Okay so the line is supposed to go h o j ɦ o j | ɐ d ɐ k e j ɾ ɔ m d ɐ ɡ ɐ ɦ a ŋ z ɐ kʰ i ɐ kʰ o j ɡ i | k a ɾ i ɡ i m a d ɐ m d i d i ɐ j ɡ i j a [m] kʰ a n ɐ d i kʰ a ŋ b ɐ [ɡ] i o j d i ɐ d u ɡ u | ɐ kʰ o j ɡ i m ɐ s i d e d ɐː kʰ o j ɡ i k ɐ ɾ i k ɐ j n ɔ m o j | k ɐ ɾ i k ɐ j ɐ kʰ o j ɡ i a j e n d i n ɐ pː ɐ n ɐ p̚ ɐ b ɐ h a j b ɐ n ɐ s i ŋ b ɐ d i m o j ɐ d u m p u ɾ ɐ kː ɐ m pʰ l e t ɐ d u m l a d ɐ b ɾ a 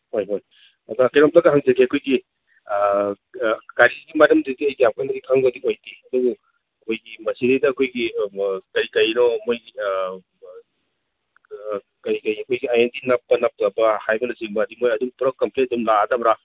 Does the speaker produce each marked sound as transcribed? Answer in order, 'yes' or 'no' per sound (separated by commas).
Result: yes, no